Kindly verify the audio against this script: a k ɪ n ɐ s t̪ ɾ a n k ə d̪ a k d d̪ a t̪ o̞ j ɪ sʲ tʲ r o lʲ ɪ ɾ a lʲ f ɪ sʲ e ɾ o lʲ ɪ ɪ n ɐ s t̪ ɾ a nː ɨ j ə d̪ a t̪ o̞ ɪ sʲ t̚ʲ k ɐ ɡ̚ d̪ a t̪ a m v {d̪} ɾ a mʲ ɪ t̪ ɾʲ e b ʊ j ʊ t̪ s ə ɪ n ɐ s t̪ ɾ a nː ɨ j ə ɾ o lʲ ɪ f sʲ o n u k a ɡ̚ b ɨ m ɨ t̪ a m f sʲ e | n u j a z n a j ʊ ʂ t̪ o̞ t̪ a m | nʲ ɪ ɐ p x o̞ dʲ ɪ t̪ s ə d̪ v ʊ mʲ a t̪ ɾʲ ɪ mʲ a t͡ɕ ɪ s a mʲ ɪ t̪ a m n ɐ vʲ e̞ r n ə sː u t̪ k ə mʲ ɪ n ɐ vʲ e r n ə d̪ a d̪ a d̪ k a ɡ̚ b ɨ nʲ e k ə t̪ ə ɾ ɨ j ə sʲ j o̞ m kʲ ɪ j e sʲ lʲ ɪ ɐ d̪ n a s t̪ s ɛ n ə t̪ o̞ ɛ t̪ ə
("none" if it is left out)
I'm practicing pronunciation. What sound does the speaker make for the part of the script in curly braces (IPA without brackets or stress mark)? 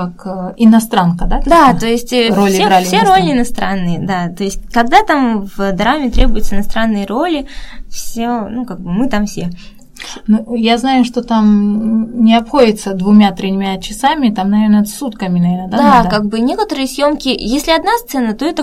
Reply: d̪